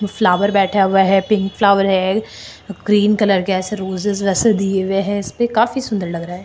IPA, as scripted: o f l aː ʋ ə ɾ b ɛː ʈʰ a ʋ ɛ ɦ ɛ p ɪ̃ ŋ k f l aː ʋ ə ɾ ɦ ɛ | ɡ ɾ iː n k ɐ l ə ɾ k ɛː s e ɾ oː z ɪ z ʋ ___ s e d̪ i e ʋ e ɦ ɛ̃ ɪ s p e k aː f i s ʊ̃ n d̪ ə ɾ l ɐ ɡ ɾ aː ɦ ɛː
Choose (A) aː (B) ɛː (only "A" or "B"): B